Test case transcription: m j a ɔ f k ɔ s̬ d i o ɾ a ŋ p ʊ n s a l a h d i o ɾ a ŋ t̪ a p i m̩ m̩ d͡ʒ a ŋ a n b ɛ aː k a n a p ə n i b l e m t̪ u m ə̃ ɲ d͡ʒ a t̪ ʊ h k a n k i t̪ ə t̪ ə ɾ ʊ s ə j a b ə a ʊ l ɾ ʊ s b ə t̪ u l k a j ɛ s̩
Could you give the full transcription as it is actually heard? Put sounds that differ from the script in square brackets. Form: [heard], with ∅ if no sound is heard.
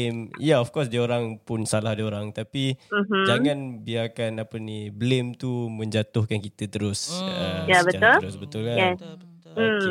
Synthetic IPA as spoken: m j a ɔ f k ɔ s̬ d i o ɾ a ŋ p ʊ n s a l a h d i o ɾ a ŋ t̪ a p i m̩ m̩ d͡ʒ a ŋ a n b [i] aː k a n a p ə n i b l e m t̪ u m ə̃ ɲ d͡ʒ a t̪ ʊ h k a n k i t̪ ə t̪ ə ɾ ʊ s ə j a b ə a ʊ l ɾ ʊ s b ə t̪ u l k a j ɛ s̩